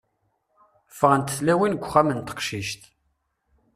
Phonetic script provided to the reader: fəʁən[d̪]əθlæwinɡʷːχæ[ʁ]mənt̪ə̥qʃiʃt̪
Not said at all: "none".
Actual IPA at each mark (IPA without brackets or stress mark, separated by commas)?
t̪, none